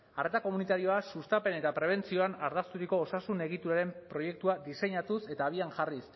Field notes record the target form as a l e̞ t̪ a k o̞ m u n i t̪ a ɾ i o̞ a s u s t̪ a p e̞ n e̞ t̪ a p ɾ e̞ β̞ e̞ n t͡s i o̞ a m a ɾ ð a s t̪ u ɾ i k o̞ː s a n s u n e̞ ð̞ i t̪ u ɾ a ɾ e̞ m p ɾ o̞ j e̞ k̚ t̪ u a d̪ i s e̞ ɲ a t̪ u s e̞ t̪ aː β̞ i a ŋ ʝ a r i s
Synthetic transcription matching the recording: a r e̞ t̪ a k o̞ m u n i t̪ a ɾ i o̞ a s u s t̪ a p e̞ n e̞ t̪ a p ɾ e̞ β̞ e̞ n t͡s i o̞ a n a ɾ ð a s t̪ u ɾ i k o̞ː s a s u n e̞ ɣ̞ i t̪ u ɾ a ɾ e̞ m p ɾ o̞ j e̞ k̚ t̪ u a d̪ i s e̞ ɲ a t̪ u s e̞ t̪ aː β̞ i a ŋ ʝ a r i s

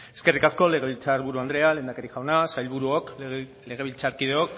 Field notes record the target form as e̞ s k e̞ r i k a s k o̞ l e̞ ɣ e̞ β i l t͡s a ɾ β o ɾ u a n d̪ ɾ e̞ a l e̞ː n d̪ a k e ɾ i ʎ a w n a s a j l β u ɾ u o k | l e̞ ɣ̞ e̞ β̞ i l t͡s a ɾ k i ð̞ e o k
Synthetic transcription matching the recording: e̞ s k e̞ r i k a s k o̞ l e̞ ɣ e̞ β i l t͡s a ɾ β u ɾ u a n d̪ ɾ e̞ a l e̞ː n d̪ a k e ɾ i ʝ a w n a s a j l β u ɾ u o k | l e̞ ɣ̞ e̞ β̞ i l t͡s a ɾ k i ð̞ e o k

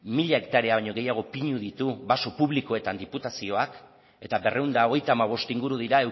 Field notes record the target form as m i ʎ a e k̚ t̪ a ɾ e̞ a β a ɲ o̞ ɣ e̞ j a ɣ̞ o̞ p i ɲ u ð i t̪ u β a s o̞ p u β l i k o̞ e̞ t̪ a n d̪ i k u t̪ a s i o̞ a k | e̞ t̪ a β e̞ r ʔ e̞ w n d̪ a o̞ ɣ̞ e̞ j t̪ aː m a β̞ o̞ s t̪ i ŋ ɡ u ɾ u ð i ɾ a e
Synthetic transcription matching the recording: m i ʎ a e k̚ t̪ a ɾ e̞ a β a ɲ o̞ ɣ e̞ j a ɣ̞ o̞ p i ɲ u ð i t̪ u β a s o̞ p u β l i k o̞ e̞ t̪ a n d̪ i p u t̪ a s i o̞ a k | e̞ t̪ a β e̞ r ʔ e̞ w n d̪ a o̞ ɣ̞ e̞ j t̪ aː m a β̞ o̞ s t̪ i ŋ ɡ u ɾ u ð i ɾ a e

